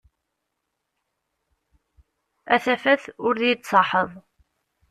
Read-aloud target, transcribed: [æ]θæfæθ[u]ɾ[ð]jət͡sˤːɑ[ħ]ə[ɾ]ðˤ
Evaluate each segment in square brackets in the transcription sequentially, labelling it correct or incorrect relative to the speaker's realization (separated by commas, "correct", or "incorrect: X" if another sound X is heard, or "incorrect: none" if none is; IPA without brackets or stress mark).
correct, incorrect: ʊ, correct, correct, incorrect: none